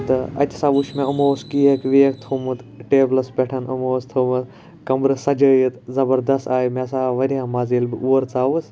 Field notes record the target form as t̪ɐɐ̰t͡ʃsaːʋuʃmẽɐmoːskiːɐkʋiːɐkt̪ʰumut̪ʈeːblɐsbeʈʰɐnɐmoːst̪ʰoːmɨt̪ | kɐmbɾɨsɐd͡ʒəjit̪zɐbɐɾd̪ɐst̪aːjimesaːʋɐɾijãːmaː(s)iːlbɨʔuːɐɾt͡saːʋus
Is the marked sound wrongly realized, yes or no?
yes